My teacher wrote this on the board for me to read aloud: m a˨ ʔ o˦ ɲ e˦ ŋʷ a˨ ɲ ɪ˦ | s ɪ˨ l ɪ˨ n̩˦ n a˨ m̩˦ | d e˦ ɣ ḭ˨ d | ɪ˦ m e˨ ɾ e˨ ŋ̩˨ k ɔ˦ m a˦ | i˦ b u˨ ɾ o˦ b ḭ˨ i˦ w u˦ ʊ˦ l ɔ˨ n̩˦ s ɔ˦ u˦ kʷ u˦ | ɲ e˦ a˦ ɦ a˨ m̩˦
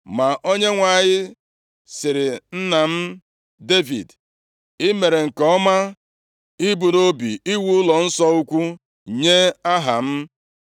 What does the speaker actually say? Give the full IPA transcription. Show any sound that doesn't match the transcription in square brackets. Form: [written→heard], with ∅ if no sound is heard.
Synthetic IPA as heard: m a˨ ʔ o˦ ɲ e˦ ŋʷ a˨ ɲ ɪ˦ | s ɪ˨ [l→ɾ] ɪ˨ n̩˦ n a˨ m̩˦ | d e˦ [ɣ→v] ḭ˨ d | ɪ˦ m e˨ ɾ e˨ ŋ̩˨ k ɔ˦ m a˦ | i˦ b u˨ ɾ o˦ b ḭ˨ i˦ w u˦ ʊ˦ l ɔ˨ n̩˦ s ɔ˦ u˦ kʷ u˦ | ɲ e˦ a˦ ɦ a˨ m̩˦